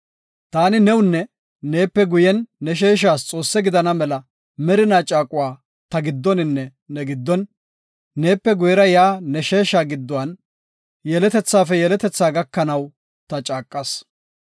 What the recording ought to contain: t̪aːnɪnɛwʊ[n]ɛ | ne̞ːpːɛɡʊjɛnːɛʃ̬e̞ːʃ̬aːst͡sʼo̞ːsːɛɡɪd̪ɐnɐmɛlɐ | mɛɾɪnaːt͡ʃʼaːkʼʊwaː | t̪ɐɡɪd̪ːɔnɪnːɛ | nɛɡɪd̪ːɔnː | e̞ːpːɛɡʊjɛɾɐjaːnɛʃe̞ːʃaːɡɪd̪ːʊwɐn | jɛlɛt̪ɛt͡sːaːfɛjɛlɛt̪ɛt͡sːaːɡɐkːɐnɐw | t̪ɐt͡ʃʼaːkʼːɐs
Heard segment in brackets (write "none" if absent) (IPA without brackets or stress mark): nː